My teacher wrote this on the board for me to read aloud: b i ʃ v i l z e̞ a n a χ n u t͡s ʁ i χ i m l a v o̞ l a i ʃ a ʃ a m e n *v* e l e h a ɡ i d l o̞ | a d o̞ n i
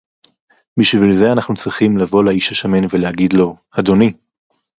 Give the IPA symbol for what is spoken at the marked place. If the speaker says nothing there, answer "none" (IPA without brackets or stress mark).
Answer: v